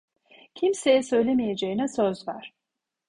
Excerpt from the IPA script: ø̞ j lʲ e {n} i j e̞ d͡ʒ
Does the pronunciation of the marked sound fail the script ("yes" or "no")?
yes